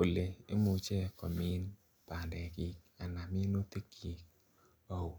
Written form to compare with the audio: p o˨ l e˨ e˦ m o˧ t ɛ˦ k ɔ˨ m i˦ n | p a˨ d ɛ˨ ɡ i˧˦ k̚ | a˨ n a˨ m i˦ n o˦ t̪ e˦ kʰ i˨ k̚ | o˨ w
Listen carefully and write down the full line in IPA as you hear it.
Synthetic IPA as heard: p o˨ l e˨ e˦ m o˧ t͡ʃ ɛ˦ k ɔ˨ m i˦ n | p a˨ d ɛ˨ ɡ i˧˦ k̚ | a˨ n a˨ m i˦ n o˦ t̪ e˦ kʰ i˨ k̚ | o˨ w

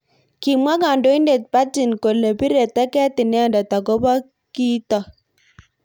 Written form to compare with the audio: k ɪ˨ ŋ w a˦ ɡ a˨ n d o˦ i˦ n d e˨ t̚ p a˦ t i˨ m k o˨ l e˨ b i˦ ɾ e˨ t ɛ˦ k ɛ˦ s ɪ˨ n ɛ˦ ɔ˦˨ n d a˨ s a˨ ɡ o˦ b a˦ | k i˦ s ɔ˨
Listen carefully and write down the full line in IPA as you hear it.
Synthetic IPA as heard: k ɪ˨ m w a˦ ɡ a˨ n d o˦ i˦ n d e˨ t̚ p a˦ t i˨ n k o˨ l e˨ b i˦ ɾ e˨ t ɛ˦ k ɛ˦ t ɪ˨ n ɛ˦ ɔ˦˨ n d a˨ t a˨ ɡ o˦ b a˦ | k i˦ t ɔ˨

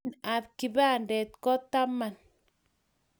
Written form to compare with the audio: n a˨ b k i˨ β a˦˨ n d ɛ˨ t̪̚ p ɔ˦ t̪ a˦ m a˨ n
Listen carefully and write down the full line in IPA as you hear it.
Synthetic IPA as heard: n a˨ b k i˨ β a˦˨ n d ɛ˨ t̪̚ k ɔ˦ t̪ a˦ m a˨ n

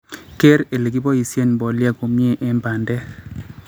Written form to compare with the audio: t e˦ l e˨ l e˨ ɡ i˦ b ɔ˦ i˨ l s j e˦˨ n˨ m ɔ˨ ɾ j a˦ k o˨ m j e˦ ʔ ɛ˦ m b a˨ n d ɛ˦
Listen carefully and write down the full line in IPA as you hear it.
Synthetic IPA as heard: k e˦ ɾ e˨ l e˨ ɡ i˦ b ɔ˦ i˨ s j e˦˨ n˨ b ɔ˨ l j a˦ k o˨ m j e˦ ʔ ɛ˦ m b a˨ n d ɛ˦

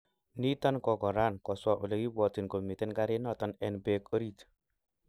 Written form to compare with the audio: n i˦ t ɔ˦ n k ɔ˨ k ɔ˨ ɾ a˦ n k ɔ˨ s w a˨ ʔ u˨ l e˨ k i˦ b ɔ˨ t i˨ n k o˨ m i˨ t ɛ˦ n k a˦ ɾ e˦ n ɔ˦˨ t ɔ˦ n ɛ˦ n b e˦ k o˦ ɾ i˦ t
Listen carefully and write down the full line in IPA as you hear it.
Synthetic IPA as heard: n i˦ t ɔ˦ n k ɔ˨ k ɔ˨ ɾ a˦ n k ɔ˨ s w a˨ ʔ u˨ l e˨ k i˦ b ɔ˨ t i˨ n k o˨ m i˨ t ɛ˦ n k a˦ ɾ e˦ n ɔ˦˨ t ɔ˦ n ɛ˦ n b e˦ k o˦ ɾ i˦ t

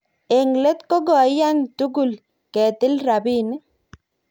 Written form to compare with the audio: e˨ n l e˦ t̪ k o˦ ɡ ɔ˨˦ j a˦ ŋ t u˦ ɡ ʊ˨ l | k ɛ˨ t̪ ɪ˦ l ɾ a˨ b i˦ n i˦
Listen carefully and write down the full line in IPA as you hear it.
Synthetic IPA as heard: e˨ ŋ l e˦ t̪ k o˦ ɡ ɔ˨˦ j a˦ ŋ t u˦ ɡ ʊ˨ l | k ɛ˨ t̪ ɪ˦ l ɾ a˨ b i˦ n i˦

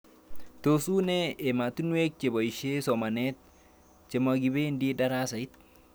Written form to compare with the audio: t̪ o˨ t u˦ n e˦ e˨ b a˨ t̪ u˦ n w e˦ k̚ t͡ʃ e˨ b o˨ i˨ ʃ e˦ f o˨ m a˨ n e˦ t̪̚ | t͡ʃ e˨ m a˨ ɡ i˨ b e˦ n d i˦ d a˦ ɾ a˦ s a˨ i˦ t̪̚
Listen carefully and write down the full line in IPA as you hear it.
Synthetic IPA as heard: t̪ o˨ s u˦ n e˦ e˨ m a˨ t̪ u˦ n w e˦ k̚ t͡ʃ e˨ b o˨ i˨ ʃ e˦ s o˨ m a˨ n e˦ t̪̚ | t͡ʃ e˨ m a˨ ɡ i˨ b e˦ n d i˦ d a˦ ɾ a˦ s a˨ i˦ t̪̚

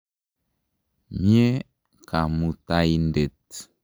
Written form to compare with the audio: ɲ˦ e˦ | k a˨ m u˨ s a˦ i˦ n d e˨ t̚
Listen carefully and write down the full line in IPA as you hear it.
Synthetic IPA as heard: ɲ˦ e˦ | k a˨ m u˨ t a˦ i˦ n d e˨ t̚

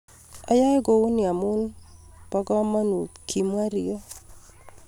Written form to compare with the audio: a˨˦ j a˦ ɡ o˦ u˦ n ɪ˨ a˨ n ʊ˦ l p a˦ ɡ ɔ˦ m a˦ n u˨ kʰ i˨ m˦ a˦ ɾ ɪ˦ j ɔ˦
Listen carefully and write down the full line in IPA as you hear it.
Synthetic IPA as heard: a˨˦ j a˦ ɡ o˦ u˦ n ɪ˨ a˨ m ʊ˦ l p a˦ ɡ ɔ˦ m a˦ n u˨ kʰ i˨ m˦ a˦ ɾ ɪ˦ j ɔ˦

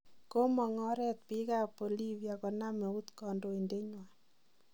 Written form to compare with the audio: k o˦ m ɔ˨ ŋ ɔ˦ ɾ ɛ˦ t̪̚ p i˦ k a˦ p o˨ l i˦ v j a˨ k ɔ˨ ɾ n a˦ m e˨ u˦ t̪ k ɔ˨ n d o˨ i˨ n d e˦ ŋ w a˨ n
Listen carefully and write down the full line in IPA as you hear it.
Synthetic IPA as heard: k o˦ m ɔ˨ ŋ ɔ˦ ɾ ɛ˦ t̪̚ p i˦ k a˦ p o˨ l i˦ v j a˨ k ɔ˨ n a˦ m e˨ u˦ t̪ k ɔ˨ n d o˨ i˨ n d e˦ ɲ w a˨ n

